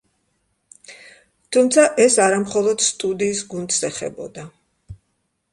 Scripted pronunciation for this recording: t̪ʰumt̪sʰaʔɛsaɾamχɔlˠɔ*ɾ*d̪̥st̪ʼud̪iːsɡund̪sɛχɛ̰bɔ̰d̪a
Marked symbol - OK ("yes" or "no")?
no